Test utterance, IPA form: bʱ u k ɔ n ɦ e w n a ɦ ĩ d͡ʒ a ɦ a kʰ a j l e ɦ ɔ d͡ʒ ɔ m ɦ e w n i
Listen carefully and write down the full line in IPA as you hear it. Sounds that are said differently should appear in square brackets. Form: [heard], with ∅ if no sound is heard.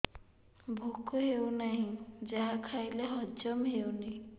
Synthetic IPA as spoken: bʱ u k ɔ [∅] ɦ e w n a ɦ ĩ d͡ʒ a ɦ a kʰ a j l e ɦ ɔ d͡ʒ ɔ m ɦ e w n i